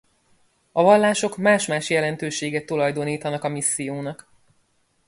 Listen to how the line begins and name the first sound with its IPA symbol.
ɒ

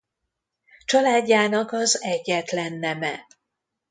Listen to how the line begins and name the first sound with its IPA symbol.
t͡ʃ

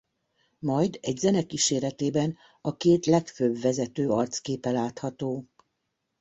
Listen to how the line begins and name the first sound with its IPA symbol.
m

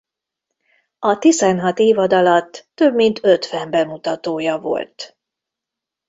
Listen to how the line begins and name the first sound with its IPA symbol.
ɒ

